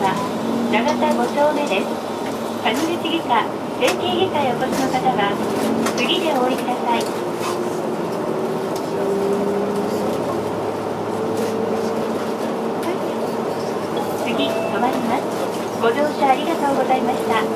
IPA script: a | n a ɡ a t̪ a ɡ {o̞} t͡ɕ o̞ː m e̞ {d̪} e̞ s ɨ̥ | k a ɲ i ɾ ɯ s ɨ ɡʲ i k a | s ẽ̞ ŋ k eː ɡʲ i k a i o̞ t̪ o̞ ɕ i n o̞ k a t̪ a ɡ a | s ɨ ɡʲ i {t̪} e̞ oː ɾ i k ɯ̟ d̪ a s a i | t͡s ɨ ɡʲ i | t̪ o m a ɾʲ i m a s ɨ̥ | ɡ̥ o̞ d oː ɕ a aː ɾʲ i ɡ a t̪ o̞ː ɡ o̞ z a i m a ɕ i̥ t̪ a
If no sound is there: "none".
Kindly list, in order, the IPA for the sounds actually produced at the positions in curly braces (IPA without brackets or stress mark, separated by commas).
o̞, d̪, d̪